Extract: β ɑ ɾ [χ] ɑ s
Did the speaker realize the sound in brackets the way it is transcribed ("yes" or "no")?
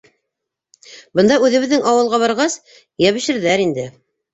no